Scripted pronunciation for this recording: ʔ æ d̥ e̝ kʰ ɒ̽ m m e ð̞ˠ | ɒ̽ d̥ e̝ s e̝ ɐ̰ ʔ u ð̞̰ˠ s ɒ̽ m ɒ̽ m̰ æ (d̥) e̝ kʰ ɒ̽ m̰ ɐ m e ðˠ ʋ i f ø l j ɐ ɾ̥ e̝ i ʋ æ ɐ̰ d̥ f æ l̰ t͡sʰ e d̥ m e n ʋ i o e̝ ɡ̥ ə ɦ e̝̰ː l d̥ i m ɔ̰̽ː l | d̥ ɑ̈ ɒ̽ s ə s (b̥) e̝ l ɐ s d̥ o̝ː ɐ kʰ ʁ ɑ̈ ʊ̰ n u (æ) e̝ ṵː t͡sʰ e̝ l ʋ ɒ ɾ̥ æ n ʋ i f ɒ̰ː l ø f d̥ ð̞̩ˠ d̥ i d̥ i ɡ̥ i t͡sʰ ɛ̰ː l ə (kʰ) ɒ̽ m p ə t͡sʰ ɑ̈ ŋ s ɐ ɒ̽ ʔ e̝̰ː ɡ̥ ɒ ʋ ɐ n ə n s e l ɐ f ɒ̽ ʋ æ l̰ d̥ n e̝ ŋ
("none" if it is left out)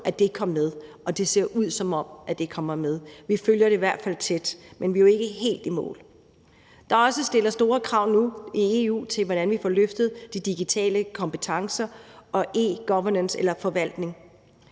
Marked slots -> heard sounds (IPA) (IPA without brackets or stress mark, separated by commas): d̥, d̥, i, kʰ